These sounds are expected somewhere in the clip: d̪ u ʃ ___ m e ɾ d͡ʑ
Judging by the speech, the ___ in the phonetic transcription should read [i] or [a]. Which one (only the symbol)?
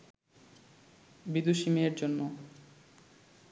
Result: i